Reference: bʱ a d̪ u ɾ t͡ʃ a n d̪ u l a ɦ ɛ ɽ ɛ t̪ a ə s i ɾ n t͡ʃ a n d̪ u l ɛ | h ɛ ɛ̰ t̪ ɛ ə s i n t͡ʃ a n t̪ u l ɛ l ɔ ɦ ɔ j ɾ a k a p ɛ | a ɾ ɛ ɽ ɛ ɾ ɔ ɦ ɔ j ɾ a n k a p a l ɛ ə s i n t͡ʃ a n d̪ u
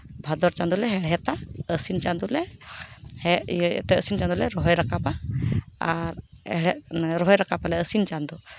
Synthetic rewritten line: bʱ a d̪ ɔ ɾ t͡ʃ a n d̪ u l ɛ ɦ ɛ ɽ ɛ t̪ a ə s i n t͡ʃ a n d̪ u l ɛ | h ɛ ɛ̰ t̪ ɛ ə s i n t͡ʃ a n d̪ u l ɛ ɾ ɔ ɦ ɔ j ɾ a k a p a | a ɾ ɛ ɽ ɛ ɾ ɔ ɦ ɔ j ɾ a k a p a l ɛ ə s i n t͡ʃ a n d̪ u